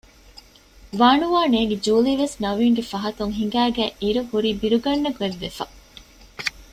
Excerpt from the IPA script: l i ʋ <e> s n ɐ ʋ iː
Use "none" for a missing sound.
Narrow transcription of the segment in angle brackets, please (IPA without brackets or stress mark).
e